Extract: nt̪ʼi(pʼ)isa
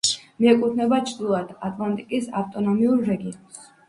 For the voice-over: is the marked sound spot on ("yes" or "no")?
no